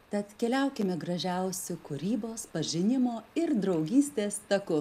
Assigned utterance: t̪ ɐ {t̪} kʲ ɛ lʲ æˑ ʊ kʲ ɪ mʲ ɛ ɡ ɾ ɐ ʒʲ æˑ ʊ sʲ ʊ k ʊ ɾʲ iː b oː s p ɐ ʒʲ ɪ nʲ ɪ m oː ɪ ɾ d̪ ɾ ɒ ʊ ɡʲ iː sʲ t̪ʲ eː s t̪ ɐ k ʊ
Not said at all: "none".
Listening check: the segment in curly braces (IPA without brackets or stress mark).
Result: t̪